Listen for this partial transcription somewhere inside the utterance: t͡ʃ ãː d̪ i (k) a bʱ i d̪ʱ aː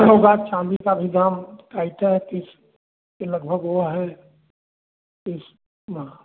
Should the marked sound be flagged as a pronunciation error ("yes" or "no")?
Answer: no